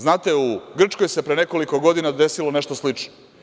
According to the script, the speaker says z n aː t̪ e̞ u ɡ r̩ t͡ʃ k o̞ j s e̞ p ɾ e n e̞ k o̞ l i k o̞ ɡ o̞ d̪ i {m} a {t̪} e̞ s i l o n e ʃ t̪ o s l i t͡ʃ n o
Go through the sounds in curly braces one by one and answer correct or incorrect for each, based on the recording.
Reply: incorrect: n, incorrect: d̪

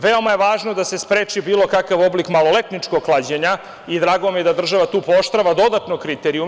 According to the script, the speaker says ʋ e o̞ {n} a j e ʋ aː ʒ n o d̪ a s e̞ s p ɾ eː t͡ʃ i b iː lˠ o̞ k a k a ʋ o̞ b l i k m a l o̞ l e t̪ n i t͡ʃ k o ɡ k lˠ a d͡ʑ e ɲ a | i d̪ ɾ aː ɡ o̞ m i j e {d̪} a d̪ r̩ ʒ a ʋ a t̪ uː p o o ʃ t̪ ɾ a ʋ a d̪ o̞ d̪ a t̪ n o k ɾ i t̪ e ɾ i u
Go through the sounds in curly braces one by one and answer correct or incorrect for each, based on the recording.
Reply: incorrect: m, correct

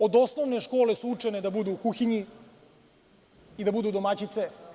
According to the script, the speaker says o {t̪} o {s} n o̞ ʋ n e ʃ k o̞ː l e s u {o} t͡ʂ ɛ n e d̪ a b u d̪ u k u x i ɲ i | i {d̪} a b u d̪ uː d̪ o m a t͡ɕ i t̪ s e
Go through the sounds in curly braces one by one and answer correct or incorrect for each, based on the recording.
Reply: incorrect: d̪, correct, incorrect: u, correct

